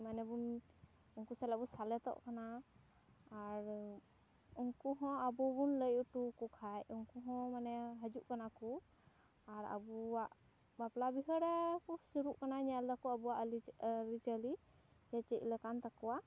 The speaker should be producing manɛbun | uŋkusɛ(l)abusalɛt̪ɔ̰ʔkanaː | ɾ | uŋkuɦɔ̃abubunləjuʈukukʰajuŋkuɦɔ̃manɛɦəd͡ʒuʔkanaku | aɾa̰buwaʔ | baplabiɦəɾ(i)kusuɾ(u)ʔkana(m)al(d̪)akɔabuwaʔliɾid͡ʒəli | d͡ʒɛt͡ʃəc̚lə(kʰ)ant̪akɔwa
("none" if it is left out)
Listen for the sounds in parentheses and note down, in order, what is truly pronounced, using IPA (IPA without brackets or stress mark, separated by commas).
l, ɛ, u, ɲ, d̪, k